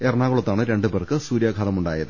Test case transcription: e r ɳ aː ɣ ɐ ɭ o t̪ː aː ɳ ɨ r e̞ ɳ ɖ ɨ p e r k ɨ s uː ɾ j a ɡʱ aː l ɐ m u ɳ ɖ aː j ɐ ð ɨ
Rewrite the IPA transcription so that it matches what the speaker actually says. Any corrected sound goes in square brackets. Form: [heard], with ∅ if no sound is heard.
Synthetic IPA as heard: e r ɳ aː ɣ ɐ ɭ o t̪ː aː ɳ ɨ [ɾ] e̞ ɳ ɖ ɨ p e r k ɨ s uː ɾ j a ɡʱ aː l ɐ m u ɳ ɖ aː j ɐ ð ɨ